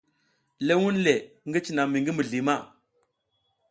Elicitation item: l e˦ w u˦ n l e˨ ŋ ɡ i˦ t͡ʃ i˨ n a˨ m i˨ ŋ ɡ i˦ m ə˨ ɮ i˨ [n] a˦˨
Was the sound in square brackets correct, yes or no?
no